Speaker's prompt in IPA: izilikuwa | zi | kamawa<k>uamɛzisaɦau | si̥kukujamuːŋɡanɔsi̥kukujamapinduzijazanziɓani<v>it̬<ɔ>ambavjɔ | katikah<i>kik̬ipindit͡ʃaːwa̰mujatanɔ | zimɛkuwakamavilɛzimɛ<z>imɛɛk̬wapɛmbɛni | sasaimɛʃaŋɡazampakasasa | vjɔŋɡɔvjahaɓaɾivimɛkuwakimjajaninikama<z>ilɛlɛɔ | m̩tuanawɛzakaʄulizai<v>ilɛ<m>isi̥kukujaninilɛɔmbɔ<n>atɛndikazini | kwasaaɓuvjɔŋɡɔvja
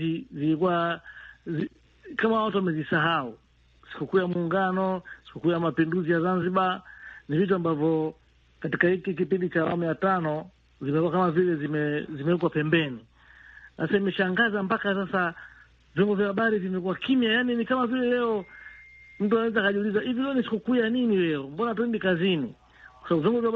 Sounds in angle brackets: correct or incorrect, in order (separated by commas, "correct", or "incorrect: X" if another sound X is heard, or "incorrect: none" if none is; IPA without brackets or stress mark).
incorrect: t, correct, incorrect: u, correct, correct, incorrect: v, correct, incorrect: n, correct